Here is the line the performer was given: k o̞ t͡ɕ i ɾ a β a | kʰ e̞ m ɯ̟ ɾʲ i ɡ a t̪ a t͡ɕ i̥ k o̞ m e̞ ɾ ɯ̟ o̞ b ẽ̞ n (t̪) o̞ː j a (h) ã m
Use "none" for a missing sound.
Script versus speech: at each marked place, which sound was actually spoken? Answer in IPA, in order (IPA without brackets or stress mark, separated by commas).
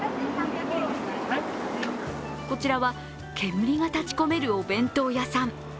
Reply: t̪, s